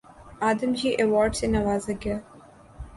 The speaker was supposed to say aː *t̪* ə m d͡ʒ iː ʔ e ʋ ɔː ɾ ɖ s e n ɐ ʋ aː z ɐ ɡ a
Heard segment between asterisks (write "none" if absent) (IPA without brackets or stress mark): d̪